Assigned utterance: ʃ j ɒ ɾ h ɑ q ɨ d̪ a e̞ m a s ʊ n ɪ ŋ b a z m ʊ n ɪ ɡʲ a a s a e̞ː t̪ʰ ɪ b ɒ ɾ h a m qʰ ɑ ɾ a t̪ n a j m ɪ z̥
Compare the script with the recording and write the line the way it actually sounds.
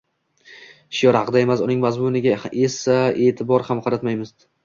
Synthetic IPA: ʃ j ɒ ɾ h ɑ q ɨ d̪ a e̞ m a s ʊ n ɪ ŋ m a z m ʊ n ɪ ɡʲ a e s a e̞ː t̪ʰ ɪ b ɒ ɾ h a m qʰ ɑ ɾ a t̪ m a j m ɪ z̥

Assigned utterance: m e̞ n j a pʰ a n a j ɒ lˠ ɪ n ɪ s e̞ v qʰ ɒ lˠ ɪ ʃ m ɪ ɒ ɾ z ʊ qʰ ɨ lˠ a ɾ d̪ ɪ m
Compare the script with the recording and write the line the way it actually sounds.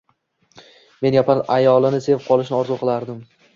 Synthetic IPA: m e̞ n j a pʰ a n a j ɒ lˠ ɪ n ɪ s e̞ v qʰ ɒ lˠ ɪ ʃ n ɪ ɒ ɾ z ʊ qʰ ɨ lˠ a ɾ d̪ ɪ m

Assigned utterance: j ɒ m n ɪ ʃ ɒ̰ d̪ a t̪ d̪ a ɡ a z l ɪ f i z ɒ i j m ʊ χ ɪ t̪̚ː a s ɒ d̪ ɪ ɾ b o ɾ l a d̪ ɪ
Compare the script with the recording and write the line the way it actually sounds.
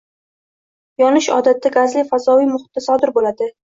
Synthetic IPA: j ɒ n ɪ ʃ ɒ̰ d̪ a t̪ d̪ a ɡ a z l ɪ f a z ɒ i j m ʊ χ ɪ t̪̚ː a s ɒ d̪ ɪ ɾ b o l a d̪ ɪ

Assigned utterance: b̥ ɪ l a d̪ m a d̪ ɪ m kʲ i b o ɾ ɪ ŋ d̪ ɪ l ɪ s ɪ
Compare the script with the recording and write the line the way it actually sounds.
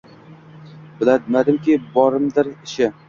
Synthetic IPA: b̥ ɪ l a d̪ m a d̪ ɪ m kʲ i b ɒ ɾ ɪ m d̪ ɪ ɾ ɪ ʃ ɪ

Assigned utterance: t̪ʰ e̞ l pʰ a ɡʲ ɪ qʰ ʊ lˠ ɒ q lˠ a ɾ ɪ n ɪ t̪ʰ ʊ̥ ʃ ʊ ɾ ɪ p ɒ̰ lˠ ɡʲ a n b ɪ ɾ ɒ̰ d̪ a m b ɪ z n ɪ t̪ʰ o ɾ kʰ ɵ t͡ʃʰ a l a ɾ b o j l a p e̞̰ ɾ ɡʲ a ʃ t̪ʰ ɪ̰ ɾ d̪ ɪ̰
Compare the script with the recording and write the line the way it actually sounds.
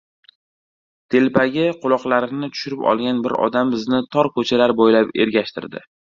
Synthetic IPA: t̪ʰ e̞ l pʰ a ɡʲ ɪ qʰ ʊ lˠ ɒ q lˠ a ɾ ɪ n ɪ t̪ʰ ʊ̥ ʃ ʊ ɾ ɪ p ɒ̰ lˠ ɡʲ a n b ɪ ɾ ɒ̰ d̪ a m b ɪ z n ɪ t̪ʰ ɒ ɾ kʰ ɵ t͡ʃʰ a l a ɾ b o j l a p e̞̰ ɾ ɡʲ a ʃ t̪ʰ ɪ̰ ɾ d̪ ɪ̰

